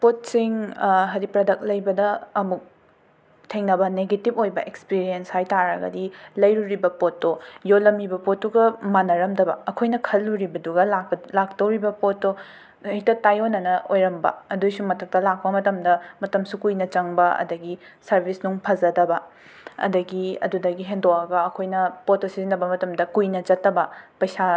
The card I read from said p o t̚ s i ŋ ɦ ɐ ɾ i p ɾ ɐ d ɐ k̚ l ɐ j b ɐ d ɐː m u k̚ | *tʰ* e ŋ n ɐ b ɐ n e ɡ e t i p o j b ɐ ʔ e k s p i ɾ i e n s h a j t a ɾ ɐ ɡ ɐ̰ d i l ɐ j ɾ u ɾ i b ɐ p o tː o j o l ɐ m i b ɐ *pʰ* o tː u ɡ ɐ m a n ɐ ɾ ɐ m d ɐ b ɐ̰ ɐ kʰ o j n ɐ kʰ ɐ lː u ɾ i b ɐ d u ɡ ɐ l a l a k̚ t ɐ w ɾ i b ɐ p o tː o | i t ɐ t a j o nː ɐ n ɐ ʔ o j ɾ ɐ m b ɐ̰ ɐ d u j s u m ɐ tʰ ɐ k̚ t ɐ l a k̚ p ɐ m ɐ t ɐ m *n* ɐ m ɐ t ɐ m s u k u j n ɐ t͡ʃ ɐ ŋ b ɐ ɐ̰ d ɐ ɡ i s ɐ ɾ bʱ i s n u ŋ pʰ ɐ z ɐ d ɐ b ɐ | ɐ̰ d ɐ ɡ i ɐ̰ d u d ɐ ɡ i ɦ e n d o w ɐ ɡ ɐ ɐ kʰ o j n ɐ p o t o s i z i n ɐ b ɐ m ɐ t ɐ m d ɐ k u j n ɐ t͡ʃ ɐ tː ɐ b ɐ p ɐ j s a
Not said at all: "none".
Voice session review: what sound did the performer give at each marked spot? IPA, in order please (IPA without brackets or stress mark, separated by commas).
tʰ, p, d